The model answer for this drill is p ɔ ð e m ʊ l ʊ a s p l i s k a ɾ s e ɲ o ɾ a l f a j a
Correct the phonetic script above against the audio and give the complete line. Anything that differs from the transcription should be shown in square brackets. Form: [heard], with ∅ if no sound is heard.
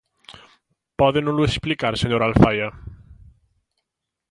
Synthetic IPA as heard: p ɔ ð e [n] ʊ l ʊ [e] s p l i [∅] k a ɾ s e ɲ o ɾ a l f a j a